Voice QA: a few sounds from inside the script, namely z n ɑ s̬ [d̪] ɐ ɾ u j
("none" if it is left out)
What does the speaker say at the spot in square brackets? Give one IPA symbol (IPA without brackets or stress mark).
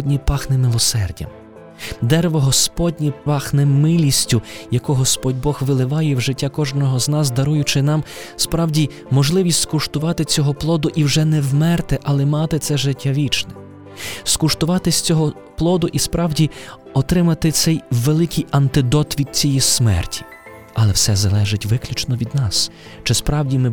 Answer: d̪